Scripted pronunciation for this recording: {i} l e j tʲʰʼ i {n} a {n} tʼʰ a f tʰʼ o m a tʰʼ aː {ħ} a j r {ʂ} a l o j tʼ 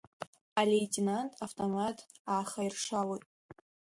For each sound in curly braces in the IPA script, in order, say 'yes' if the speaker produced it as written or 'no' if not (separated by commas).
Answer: no, yes, yes, no, yes